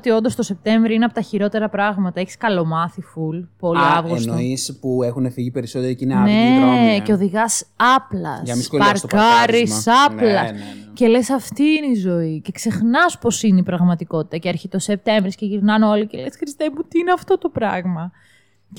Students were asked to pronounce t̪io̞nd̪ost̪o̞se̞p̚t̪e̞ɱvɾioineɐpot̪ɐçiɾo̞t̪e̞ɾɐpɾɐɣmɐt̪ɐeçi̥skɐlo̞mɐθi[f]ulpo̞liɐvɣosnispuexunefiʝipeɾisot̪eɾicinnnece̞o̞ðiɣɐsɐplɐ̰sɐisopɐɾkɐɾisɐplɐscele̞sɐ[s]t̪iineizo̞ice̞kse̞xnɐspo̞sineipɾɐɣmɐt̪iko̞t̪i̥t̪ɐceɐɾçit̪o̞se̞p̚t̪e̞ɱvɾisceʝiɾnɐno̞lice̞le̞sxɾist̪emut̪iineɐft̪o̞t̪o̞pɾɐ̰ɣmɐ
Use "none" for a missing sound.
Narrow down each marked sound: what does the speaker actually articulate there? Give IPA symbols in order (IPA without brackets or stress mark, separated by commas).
f, f